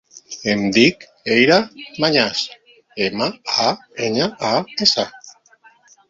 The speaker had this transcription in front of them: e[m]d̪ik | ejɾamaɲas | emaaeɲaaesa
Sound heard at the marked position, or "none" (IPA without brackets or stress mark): m